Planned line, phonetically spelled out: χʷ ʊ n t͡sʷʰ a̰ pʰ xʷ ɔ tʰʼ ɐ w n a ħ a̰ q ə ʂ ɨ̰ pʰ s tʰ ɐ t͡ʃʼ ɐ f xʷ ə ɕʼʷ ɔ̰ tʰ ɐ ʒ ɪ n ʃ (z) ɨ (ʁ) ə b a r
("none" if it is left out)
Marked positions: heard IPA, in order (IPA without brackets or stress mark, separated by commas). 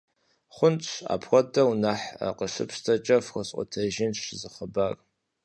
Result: z, χ